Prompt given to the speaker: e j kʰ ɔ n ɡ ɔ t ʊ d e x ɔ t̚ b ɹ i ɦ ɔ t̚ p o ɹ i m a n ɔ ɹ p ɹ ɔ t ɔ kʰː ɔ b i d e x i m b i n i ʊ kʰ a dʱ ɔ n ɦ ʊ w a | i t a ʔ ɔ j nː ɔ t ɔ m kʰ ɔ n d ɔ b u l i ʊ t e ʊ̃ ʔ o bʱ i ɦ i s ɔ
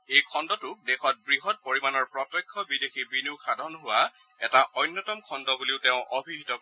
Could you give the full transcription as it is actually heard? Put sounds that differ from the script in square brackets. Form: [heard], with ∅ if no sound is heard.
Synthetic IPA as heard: e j kʰ ɔ n [d] ɔ t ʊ d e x ɔ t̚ b ɹ i ɦ ɔ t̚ p o ɹ i m a n ɔ ɹ p ɹ ɔ t ɔ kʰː ɔ b i d e x i [∅] b i n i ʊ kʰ a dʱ ɔ n ɦ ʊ w a | [ɛ] t a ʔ ɔ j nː ɔ t ɔ m kʰ ɔ n d ɔ b u l i ʊ t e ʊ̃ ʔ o bʱ i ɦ i [t] ɔ